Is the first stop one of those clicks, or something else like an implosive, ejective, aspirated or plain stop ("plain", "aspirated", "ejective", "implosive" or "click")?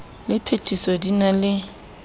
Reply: aspirated